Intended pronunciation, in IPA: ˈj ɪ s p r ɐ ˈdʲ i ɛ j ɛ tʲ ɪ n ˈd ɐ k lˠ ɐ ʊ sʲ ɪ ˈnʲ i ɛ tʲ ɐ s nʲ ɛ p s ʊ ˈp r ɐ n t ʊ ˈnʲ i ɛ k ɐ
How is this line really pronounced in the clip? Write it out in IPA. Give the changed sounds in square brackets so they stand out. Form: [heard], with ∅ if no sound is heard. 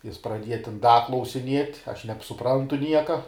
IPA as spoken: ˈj ɪ s p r ɐ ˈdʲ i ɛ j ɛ tʲ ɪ n ˈd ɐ k lˠ ɐ ʊ sʲ ɪ ˈnʲ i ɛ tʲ ɐ [ʃ] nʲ ɛ p s ʊ ˈp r ɐ n t ʊ ˈnʲ i ɛ k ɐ